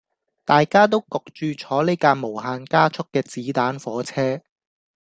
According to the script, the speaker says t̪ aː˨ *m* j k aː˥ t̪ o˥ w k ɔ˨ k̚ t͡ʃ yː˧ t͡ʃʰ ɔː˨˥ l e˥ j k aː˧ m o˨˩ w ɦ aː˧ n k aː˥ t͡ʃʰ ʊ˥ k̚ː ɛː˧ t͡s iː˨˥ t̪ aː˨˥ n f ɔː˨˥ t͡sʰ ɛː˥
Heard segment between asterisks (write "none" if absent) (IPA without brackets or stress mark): none